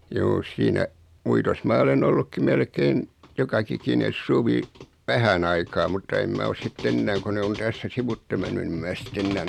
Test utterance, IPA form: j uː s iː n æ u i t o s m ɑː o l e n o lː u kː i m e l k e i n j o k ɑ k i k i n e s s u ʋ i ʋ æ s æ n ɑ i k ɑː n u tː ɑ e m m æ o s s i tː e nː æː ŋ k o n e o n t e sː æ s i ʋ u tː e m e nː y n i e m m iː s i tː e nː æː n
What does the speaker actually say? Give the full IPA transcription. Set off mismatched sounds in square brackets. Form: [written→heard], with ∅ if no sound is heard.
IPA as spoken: j uː s iː n æ u i t o s m ɑː o l e n o lː u kː i m e l k e i n j o k ɑ k i k i n e s s u ʋ i ʋ æ [s→h] æ n ɑ i k ɑː [n→m] u tː ɑ e m m æ o s s i tː e nː æː ŋ k o n e o n t [e→æ] sː æ s i ʋ u tː e m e nː y n i e m m [iː→æː] s i tː e nː æː n